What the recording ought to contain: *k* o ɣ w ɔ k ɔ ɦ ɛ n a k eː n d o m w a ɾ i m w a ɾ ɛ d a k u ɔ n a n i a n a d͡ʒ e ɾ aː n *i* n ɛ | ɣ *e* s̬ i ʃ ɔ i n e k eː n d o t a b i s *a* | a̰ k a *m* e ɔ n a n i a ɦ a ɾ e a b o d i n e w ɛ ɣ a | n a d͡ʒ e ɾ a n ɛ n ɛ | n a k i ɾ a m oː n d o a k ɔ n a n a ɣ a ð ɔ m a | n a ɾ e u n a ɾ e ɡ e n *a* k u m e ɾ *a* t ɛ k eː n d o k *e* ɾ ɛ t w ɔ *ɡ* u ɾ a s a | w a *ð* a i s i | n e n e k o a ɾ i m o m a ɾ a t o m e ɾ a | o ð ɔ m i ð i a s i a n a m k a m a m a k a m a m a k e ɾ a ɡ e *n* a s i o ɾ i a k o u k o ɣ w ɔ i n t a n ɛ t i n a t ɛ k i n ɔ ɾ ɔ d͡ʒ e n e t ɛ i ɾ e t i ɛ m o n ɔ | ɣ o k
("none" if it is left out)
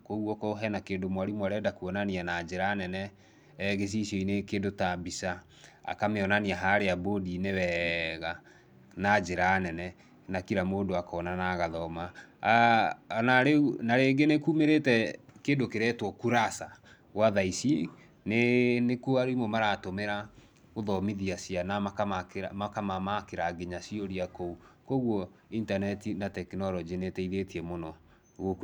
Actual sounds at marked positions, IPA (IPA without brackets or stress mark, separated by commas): k, ɛ, e, a, m, e, e, e, k, ð, ɲ